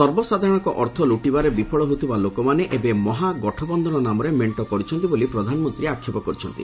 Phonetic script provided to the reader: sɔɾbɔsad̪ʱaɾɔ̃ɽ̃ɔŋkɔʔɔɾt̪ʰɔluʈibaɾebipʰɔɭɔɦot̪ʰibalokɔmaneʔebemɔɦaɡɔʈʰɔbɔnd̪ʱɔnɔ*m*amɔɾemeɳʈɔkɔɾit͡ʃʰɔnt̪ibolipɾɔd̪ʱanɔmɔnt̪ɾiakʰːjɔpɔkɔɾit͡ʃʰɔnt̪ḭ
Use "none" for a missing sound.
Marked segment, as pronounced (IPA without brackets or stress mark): n